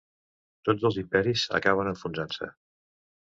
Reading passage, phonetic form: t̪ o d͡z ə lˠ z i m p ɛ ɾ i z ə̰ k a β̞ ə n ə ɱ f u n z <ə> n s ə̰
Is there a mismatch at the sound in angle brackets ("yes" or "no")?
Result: yes